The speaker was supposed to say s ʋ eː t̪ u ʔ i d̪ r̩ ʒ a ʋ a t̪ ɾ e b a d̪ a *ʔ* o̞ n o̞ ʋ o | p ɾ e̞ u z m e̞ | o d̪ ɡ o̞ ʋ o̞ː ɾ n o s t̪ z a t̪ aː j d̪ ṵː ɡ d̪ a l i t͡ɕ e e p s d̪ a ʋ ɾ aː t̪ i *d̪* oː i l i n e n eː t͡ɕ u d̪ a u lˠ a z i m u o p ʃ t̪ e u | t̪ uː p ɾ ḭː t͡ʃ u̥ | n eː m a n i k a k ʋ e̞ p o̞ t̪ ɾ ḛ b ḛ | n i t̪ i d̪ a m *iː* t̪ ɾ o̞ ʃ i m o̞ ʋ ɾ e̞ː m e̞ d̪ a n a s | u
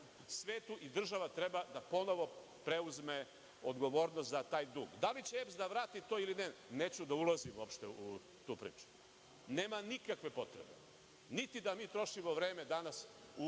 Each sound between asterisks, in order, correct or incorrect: incorrect, incorrect, correct

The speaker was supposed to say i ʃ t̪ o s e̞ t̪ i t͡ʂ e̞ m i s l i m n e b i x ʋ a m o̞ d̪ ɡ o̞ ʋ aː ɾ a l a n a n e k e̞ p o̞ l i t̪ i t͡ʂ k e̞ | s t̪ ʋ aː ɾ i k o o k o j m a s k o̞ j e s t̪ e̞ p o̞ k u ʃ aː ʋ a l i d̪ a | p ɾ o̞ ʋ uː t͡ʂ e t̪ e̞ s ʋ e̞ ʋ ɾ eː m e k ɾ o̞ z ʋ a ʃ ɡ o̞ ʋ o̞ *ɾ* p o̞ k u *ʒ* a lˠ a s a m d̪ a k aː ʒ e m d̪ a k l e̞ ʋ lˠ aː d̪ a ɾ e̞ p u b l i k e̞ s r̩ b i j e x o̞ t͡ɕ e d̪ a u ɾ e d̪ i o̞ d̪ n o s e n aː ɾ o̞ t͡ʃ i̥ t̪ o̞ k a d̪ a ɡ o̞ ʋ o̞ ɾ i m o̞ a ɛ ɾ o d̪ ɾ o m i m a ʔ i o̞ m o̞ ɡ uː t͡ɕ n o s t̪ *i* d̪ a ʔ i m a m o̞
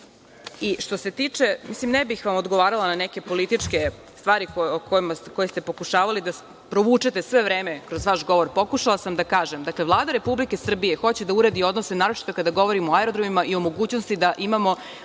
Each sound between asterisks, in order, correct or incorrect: correct, incorrect, correct

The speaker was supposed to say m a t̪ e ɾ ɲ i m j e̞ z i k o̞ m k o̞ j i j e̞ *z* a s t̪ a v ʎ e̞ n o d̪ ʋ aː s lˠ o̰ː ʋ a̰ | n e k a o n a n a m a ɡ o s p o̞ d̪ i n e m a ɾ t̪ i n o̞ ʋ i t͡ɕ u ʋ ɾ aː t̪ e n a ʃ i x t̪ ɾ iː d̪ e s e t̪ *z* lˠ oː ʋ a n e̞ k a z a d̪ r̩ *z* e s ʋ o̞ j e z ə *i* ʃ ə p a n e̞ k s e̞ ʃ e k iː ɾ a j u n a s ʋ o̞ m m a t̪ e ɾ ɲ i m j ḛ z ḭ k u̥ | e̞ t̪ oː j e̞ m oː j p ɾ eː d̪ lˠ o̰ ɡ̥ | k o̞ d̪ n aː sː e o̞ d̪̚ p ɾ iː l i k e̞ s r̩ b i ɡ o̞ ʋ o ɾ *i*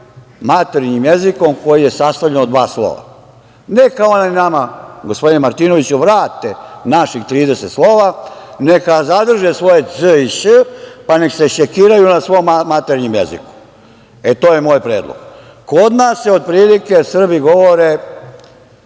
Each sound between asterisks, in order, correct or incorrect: incorrect, incorrect, incorrect, correct, incorrect

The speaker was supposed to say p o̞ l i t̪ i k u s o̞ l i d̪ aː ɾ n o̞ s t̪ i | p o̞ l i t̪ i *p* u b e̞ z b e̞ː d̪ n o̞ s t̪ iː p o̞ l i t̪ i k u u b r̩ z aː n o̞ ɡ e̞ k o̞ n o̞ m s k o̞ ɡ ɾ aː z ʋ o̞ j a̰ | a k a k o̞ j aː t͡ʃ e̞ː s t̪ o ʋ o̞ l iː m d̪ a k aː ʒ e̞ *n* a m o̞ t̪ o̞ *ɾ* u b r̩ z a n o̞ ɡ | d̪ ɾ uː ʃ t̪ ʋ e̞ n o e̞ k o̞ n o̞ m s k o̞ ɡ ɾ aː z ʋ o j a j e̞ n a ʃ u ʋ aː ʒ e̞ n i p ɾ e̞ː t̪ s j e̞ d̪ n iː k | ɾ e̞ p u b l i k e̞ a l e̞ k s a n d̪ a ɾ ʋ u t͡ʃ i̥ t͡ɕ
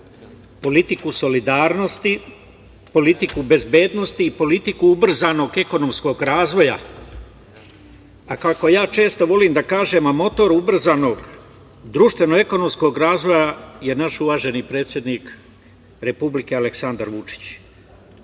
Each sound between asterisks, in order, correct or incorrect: incorrect, incorrect, correct

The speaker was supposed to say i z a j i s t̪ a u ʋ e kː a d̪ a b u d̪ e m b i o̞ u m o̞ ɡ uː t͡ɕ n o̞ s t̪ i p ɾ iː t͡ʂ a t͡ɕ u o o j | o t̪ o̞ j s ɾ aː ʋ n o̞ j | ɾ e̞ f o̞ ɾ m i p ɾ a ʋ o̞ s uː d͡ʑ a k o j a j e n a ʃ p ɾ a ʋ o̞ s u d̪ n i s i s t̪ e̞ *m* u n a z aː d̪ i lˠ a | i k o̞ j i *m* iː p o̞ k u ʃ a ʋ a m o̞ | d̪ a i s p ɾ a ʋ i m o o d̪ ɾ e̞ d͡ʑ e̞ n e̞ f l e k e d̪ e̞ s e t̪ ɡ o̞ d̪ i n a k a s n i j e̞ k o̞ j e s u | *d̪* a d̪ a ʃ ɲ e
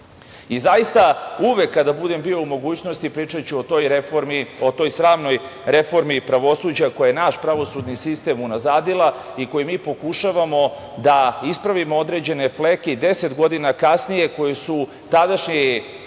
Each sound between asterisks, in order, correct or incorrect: correct, correct, incorrect

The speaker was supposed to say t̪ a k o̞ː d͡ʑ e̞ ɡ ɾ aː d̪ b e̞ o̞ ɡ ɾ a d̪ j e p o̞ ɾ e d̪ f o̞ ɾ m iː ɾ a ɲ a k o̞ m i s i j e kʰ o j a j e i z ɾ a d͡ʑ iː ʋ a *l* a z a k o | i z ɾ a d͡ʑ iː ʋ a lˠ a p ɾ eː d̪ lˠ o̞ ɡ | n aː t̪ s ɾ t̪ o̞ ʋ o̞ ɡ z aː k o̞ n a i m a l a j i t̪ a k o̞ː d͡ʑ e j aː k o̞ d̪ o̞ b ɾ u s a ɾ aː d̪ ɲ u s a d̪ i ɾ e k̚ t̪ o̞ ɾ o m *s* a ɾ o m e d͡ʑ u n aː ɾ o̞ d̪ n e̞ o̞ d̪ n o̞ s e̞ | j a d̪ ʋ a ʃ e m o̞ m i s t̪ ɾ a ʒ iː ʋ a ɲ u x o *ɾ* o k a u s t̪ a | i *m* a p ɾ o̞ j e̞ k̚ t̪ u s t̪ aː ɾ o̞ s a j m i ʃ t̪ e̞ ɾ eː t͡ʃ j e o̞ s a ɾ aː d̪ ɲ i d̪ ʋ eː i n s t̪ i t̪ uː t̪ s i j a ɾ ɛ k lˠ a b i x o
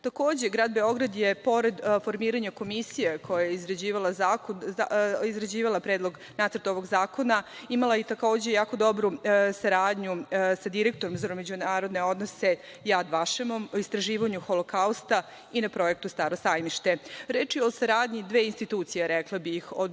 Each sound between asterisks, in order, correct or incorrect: correct, incorrect, incorrect, incorrect

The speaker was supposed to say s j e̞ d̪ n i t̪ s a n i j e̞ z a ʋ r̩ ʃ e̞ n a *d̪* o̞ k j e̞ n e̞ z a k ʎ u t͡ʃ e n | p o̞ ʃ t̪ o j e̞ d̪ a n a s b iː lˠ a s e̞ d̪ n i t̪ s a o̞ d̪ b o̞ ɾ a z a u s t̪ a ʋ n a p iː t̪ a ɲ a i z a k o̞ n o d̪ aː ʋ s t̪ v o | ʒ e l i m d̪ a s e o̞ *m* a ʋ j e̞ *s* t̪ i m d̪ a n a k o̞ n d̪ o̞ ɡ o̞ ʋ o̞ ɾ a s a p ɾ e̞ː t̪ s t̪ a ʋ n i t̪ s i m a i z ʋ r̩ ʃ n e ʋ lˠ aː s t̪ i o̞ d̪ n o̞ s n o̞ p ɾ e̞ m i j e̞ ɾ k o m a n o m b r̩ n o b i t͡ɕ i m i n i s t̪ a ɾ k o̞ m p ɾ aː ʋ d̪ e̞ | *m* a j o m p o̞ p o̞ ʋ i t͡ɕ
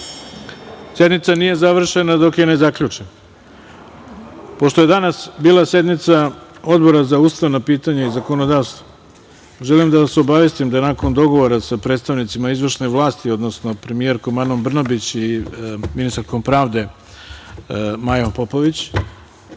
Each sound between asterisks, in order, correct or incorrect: correct, incorrect, correct, correct

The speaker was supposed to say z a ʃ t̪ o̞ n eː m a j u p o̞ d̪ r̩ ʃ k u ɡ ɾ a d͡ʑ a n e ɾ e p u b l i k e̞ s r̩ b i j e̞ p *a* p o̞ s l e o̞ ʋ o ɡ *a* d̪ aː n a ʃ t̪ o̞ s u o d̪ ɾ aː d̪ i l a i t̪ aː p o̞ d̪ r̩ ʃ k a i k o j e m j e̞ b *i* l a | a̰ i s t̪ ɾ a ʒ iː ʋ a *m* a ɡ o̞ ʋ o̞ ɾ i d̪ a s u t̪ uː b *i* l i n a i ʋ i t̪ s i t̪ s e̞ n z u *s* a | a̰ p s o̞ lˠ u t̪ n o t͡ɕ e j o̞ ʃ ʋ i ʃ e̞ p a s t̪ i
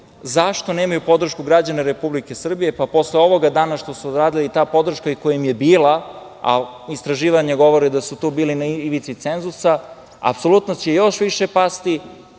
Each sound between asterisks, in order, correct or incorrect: correct, correct, incorrect, incorrect, incorrect, correct

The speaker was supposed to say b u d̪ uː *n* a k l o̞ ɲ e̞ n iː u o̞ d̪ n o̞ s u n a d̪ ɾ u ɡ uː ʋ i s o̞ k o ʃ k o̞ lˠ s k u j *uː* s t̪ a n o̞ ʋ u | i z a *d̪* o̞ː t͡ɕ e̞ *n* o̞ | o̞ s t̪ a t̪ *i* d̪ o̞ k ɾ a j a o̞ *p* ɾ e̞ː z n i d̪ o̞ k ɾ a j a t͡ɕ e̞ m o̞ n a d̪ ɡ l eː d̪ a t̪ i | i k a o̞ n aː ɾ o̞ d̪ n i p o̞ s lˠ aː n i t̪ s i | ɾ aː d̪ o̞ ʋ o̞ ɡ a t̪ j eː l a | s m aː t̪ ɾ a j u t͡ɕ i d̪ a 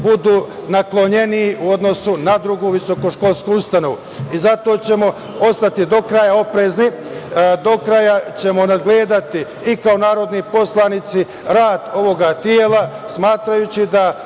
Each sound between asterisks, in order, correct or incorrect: correct, incorrect, incorrect, incorrect, correct, correct

